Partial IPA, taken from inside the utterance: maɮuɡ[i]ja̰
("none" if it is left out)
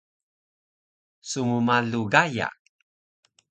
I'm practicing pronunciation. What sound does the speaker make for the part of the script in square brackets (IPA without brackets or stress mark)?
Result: a